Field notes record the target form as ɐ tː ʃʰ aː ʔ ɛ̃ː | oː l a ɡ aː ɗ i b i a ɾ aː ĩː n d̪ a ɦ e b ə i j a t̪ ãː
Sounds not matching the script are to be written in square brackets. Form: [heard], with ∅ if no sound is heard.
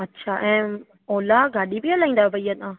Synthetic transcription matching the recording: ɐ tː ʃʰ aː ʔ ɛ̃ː | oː l a ɡ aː ɗ i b i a [l] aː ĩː n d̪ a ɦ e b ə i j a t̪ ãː